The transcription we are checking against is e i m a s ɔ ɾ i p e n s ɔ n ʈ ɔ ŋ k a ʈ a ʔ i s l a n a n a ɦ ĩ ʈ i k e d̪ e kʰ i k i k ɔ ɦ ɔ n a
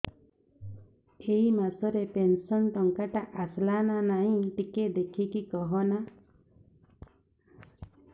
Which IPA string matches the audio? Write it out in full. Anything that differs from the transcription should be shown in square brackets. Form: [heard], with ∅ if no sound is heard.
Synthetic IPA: e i m a s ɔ ɾ [e] p e n s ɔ n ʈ ɔ ŋ k a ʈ a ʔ [a] s l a n a n a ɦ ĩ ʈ i k e d̪ e kʰ i k i k ɔ ɦ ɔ n a